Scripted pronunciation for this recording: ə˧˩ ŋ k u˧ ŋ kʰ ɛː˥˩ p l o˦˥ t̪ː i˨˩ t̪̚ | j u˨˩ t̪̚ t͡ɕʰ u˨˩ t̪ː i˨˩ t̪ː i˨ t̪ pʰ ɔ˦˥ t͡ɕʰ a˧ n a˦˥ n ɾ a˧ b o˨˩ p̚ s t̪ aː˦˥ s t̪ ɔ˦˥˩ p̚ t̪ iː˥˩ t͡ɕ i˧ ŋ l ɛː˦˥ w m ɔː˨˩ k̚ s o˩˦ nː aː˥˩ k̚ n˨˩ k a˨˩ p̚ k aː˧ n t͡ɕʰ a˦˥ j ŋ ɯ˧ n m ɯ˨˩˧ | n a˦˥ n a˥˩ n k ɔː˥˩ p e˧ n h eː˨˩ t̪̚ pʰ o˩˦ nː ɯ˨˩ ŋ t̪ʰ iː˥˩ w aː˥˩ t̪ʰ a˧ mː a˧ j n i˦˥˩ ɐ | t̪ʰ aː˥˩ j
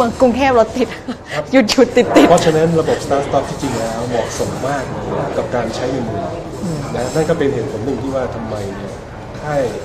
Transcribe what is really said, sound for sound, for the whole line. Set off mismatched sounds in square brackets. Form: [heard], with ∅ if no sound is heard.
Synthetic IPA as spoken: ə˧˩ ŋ k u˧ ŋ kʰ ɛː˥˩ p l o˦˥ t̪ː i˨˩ t̪̚ | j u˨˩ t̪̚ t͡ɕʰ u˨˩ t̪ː i˨˩ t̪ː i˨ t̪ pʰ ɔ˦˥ t͡ɕʰ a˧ n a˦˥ n ɾ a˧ b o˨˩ p̚ s t̪ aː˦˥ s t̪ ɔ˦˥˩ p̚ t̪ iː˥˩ t͡ɕ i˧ ŋ l ɛː˦˥ w m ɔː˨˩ k̚ s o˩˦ [mː] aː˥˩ k̚ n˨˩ k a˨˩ p̚ k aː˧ n t͡ɕʰ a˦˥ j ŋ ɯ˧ n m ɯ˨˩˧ | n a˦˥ n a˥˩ n k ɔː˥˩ p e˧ n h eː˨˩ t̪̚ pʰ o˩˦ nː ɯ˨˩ ŋ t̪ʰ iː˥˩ w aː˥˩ t̪ʰ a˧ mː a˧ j n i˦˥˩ ɐ | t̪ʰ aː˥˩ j